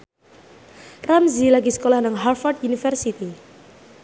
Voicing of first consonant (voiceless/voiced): voiced